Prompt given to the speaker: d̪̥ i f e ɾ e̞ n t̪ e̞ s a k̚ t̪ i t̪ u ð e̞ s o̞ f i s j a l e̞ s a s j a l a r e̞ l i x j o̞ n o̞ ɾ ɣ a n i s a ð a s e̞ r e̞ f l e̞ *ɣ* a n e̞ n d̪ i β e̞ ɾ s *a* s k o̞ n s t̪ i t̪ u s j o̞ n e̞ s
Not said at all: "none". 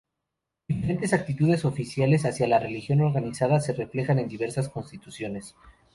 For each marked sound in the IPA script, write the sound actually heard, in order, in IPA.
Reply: x, a

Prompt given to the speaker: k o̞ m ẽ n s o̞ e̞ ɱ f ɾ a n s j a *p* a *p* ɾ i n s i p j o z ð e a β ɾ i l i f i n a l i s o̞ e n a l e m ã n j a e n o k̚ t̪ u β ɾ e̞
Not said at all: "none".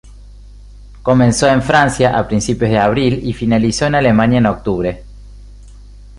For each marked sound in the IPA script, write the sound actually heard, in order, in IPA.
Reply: ʔ, p

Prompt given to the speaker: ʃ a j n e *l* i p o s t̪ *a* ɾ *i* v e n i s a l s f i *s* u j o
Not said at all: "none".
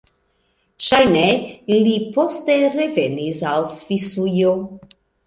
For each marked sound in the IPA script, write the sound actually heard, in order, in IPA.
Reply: l, e, e, s

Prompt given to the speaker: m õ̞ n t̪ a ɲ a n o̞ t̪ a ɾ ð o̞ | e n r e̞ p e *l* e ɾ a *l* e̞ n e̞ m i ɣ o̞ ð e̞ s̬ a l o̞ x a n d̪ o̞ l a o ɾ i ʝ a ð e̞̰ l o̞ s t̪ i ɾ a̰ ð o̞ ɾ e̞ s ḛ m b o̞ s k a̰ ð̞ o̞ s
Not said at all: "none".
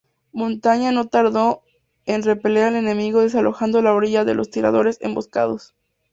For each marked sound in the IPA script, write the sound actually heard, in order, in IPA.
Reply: l, l

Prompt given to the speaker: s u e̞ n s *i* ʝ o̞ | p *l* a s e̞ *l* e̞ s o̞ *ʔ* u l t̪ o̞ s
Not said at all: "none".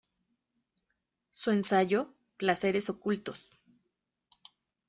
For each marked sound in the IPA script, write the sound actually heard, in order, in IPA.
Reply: a, l, ɾ, k

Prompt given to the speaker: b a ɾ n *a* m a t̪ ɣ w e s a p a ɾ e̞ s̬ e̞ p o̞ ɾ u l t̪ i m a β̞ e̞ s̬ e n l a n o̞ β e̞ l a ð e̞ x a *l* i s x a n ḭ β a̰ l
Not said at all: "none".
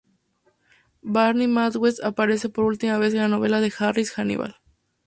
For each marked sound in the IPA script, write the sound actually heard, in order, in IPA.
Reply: i, r

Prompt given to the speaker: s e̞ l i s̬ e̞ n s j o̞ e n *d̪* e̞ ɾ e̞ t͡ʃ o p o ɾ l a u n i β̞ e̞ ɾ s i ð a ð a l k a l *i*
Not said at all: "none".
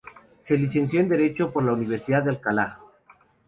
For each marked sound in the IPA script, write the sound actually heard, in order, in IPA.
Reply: d̪, a

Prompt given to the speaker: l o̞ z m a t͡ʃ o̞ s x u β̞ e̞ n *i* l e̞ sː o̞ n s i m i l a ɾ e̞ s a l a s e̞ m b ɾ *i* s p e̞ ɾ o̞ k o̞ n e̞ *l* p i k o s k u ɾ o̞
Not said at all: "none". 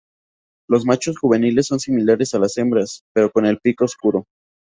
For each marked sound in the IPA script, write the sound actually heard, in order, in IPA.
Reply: i, a, l

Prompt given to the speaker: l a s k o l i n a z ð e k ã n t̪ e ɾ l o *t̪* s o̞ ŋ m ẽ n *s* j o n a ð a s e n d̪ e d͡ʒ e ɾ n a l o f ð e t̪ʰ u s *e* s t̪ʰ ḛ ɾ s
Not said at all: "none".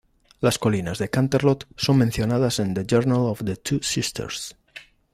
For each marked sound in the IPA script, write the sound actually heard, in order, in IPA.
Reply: t̪, θ, i

